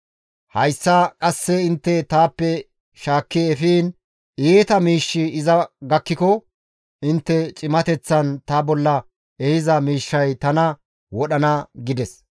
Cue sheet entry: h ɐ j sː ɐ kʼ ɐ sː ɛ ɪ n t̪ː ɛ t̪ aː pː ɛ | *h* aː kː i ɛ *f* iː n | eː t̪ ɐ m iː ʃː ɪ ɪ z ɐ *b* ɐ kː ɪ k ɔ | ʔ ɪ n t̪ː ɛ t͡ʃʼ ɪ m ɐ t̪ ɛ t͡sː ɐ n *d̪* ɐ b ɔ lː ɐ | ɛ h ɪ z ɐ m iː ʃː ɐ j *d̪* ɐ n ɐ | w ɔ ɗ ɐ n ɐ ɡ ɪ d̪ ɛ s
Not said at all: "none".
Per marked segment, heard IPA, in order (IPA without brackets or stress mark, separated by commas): ʃ, f, ɡ, t̪, t̪